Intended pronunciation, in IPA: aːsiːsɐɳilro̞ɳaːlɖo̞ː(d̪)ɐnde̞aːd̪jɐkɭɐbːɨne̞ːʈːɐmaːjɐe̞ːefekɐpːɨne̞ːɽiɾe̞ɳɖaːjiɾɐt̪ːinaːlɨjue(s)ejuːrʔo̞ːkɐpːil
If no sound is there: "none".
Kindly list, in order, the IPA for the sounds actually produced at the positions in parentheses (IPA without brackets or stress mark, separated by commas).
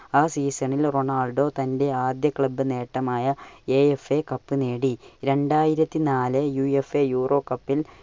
t̪, f